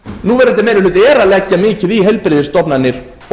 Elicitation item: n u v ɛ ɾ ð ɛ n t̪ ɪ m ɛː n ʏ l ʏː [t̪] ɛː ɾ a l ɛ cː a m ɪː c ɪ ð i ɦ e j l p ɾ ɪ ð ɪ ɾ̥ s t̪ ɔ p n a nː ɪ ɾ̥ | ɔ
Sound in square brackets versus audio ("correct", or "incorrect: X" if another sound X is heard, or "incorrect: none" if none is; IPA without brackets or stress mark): correct